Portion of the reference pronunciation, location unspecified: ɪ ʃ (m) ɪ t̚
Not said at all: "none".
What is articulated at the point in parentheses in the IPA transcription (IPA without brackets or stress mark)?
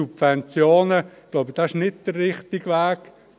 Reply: n